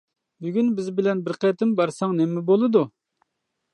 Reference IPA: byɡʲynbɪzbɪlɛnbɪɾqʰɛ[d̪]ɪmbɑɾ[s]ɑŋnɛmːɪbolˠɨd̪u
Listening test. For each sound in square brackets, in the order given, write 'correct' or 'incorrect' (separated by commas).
incorrect, correct